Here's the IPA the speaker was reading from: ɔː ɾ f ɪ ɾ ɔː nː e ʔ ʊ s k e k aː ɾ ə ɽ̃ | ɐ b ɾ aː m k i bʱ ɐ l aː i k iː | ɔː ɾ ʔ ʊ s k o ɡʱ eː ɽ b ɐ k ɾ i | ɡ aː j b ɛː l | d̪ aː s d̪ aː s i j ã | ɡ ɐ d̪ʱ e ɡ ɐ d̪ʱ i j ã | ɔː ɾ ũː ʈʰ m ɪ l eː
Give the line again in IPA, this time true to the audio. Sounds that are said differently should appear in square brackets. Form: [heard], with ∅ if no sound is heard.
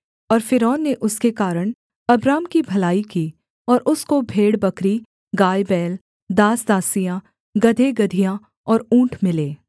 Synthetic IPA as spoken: ɔː ɾ f ɪ ɾ ɔː nː e ʔ ʊ s k e k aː ɾ ə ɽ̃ | ɐ b ɾ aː m k i bʱ ɐ l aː i k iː | ɔː ɾ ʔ ʊ s k o [bʱ] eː ɽ b ɐ k ɾ i | ɡ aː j b ɛː l | d̪ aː s d̪ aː s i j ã | ɡ ɐ d̪ʱ e ɡ ɐ d̪ʱ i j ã | ɔː ɾ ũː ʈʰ m ɪ l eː